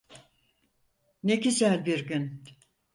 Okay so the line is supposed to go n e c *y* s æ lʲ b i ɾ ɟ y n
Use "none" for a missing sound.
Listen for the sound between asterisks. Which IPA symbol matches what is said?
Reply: i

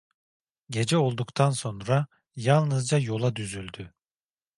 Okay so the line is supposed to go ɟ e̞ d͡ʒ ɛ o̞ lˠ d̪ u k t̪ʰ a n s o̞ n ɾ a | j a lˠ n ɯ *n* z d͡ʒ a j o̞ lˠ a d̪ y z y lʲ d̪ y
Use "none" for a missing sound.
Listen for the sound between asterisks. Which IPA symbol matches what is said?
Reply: none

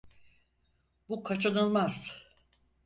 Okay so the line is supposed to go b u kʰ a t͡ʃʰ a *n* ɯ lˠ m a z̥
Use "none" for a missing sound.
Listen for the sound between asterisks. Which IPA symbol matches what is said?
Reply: n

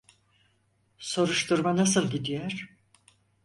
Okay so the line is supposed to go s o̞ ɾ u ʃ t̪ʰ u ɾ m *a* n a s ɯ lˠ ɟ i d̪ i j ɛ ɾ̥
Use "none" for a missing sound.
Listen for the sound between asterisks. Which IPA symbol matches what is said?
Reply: a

